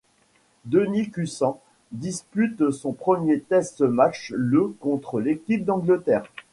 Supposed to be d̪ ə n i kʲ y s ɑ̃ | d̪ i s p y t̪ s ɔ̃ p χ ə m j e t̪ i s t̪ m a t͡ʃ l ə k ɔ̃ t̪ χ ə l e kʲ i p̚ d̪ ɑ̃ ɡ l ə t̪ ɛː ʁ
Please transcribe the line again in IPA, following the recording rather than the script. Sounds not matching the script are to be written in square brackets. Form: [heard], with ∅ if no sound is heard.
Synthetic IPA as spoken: d̪ ə n i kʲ y s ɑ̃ | d̪ i s p y t̪ s ɔ̃ p χ ə m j e t̪ [ɛ] s t̪ m a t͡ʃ l ə k ɔ̃ t̪ χ ə l e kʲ i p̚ d̪ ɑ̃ ɡ l ə t̪ ɛː ʁ